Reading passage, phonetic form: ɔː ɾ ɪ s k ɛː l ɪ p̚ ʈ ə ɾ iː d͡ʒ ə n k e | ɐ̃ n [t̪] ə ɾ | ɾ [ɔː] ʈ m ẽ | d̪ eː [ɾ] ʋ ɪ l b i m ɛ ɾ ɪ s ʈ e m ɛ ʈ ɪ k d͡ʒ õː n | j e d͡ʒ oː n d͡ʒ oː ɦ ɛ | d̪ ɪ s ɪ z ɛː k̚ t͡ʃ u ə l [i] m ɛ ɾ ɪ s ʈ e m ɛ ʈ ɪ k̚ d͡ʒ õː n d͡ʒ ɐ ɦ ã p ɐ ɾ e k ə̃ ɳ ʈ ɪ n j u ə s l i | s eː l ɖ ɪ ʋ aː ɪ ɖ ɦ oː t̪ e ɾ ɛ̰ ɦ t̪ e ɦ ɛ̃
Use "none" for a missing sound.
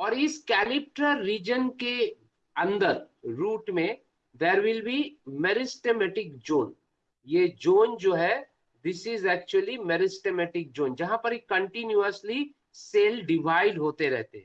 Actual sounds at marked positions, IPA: d̪, uː, ɾ, i

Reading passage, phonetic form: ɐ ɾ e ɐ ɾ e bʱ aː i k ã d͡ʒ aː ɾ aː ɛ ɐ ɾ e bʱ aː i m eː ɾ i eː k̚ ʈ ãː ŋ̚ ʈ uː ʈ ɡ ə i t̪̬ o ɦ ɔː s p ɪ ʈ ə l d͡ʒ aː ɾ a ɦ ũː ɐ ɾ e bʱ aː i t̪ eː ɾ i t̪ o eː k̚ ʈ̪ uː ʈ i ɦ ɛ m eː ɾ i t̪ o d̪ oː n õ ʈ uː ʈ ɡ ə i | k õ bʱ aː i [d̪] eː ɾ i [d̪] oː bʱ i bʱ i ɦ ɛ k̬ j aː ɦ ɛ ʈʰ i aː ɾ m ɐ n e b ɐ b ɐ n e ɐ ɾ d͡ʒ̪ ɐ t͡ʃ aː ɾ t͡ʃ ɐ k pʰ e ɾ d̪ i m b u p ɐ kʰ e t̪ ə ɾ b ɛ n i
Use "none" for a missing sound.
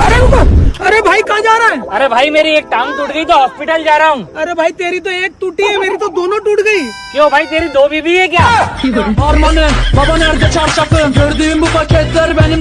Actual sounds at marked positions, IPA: t̪, d̪

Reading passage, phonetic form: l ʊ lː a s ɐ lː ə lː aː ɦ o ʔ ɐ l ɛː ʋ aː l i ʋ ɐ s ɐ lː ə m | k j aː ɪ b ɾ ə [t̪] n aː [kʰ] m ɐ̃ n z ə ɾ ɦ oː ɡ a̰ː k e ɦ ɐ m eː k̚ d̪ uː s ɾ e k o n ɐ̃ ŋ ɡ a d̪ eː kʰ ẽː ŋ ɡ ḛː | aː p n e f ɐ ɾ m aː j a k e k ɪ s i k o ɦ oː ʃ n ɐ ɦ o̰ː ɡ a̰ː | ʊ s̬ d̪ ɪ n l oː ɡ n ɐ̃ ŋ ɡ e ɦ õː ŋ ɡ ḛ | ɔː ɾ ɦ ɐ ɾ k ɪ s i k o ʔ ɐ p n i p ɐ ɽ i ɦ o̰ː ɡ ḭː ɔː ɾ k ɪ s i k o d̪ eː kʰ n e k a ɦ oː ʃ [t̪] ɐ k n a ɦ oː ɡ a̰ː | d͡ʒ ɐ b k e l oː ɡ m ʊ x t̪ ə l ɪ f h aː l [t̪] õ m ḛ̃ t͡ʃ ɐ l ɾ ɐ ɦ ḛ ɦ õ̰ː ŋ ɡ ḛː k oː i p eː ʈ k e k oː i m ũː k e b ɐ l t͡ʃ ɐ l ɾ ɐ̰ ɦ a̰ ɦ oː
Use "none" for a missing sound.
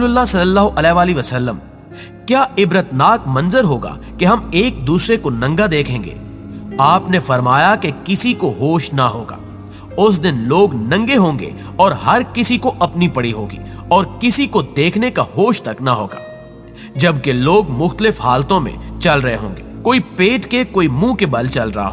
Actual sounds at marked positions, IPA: t̪, k, t̪, t̪

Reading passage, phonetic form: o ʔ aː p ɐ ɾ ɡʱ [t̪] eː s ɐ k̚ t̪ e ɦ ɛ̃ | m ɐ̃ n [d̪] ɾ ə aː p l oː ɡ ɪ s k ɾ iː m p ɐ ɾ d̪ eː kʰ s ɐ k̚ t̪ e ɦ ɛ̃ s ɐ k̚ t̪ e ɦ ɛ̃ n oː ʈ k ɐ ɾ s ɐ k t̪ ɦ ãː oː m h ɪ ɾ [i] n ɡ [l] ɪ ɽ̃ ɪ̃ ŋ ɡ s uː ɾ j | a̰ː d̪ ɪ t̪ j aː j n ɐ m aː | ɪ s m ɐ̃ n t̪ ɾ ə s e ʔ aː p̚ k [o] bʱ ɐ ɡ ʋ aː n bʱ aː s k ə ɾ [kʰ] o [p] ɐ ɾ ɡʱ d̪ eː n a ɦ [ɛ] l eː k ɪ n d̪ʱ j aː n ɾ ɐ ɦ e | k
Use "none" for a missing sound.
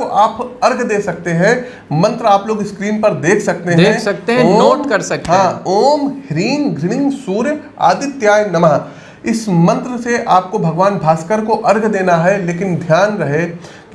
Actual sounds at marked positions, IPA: d̪, t̪, iː, ɾ, o, k, ʔ, ɛ

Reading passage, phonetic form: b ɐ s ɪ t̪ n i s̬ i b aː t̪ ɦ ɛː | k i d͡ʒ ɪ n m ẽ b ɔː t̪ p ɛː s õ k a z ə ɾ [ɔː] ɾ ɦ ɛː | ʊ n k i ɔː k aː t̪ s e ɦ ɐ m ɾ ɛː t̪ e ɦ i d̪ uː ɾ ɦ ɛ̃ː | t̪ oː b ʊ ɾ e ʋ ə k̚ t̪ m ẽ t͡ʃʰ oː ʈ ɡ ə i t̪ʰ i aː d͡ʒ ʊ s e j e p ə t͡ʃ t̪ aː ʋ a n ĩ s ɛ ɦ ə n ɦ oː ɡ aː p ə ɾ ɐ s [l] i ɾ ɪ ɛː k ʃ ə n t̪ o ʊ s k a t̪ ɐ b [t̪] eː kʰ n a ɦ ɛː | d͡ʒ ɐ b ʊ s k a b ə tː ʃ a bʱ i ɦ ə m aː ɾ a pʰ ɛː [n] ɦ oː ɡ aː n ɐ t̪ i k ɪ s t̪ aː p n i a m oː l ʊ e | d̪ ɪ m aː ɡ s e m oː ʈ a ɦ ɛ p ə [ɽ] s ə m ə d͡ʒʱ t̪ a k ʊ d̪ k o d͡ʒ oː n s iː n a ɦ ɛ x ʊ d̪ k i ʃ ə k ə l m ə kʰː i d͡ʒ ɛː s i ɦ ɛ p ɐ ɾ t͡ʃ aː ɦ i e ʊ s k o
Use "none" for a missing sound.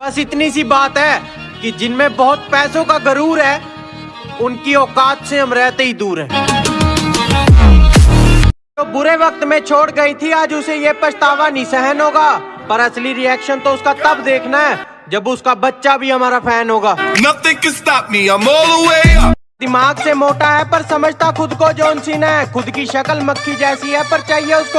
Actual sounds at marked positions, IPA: uː, l, d̪, n, ɾ

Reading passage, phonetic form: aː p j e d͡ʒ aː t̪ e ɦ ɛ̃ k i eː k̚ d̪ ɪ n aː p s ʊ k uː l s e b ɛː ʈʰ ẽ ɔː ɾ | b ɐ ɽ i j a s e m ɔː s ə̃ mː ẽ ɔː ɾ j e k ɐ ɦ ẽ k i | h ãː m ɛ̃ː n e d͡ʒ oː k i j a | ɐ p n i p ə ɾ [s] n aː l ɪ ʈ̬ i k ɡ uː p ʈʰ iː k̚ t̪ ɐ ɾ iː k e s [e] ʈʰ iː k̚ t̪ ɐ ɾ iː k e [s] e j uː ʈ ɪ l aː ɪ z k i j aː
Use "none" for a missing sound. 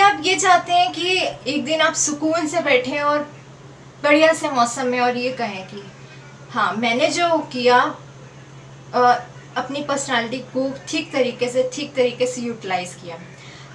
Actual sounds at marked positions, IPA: s, e, s

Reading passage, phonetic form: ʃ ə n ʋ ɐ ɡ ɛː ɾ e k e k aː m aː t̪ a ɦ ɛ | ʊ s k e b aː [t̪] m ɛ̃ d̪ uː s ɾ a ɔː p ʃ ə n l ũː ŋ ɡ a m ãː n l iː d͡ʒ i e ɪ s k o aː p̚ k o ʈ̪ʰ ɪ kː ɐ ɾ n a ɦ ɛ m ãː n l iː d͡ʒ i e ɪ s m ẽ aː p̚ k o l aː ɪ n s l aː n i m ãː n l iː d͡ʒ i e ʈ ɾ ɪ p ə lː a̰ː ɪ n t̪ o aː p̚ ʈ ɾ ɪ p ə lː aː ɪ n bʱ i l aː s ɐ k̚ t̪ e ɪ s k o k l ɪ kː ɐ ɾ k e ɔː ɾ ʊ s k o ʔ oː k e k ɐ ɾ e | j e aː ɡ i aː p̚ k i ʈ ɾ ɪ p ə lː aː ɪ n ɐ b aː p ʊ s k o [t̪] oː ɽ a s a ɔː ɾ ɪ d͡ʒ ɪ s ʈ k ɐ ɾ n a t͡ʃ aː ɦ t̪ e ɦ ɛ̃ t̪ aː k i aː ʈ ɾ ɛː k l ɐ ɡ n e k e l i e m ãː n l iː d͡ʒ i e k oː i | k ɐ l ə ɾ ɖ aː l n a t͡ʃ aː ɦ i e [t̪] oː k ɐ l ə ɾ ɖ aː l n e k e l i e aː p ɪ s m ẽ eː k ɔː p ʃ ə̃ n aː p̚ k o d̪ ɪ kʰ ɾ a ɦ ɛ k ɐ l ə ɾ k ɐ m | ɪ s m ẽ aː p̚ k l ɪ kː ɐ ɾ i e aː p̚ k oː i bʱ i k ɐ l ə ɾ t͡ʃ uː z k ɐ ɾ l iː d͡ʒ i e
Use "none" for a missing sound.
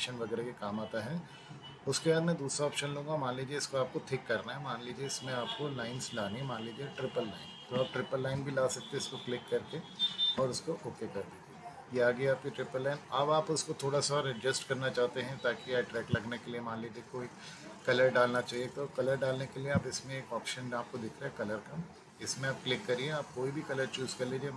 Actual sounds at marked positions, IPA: d̪, t̪ʰ, t̪

